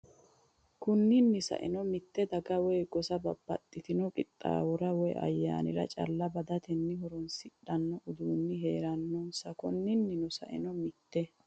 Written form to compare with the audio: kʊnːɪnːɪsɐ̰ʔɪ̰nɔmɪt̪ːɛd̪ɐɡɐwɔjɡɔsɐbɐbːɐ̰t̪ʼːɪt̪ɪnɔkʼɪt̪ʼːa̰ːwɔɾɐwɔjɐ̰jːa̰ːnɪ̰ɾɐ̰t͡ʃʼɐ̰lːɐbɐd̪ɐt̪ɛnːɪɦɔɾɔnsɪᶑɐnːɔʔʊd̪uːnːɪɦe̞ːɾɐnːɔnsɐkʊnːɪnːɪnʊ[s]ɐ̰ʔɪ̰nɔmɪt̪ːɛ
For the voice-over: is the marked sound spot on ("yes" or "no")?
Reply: yes